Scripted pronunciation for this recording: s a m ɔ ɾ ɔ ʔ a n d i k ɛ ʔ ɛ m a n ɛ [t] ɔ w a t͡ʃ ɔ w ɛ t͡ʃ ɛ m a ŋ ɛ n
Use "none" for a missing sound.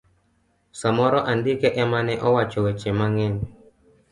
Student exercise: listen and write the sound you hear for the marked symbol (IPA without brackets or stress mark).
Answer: ʔ